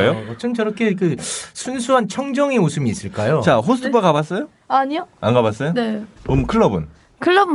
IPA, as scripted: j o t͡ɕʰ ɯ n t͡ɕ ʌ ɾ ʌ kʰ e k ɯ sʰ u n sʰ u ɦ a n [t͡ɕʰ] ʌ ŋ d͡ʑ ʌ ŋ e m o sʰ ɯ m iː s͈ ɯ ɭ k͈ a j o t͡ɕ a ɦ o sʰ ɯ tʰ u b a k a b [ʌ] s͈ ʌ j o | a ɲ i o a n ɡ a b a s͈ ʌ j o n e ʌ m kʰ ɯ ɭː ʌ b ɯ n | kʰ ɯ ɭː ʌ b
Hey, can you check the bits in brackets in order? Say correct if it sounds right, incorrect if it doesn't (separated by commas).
correct, incorrect